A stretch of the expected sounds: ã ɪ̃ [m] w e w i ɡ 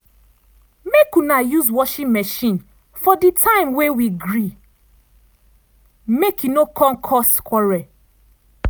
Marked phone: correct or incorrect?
correct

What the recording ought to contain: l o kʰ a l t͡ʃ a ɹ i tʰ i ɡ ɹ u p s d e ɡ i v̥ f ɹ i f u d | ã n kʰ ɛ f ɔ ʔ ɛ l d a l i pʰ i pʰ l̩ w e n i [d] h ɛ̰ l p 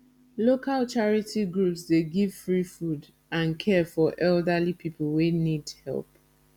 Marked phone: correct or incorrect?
correct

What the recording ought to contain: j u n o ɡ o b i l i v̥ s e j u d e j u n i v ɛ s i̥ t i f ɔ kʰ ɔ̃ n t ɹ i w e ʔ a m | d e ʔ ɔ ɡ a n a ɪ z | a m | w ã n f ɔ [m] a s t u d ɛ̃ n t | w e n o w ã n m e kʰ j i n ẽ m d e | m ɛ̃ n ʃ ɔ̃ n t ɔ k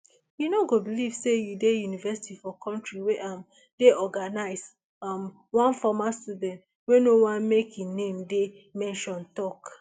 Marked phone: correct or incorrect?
correct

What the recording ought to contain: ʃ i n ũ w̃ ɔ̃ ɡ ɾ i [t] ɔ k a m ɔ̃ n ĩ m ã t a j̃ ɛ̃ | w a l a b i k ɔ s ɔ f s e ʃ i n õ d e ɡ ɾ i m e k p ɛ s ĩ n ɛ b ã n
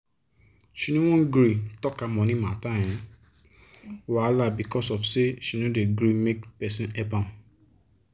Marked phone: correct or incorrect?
correct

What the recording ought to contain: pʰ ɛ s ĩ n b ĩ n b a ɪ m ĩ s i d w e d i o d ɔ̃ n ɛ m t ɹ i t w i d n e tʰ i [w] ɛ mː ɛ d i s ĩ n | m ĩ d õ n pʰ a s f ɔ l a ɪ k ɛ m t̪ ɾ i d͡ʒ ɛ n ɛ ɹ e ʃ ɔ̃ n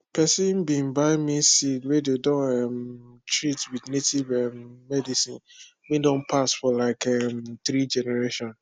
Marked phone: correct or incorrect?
incorrect: v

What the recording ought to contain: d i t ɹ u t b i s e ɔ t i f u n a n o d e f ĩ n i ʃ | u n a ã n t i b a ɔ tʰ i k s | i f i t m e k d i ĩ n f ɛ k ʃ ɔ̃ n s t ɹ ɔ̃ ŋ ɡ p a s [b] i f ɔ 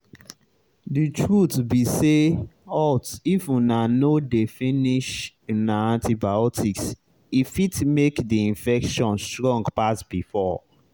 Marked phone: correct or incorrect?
correct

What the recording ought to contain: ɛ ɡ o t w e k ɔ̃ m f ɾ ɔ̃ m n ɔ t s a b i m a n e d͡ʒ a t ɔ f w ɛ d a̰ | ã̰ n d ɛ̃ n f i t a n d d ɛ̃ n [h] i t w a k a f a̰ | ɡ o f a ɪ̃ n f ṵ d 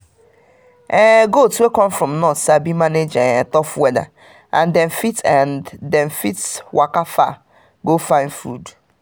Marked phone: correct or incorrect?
incorrect: f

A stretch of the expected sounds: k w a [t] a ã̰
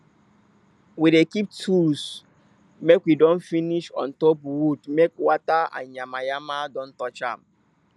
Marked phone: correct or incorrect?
correct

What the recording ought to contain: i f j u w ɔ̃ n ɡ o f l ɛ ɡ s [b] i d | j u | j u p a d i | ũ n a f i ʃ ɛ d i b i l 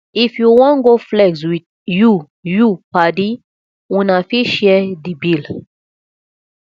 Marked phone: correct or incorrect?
incorrect: w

